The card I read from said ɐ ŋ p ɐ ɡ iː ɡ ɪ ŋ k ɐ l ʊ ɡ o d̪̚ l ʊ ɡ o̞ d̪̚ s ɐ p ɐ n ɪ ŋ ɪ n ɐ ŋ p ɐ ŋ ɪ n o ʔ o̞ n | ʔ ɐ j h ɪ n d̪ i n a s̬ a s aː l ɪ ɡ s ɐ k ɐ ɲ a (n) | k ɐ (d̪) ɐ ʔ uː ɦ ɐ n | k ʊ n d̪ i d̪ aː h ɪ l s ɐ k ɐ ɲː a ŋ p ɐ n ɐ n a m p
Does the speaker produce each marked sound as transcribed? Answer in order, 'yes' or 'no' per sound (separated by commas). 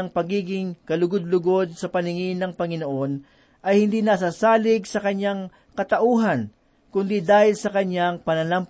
no, no